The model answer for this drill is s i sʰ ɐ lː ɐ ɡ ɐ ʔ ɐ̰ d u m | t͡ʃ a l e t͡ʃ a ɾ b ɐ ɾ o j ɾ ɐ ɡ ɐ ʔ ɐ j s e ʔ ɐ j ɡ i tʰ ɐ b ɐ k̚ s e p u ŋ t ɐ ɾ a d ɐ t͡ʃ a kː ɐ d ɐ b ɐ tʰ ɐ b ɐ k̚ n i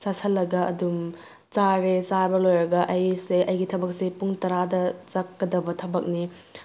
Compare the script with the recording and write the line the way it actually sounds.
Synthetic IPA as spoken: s a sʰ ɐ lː ɐ ɡ ɐ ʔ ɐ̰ d u m | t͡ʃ a ɾ e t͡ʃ a ɾ b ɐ l o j ɾ ɐ ɡ ɐ ʔ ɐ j s e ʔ ɐ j ɡ i tʰ ɐ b ɐ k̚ s e p u ŋ t ɐ ɾ a d ɐ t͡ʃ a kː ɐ d ɐ b ɐ tʰ ɐ b ɐ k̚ n i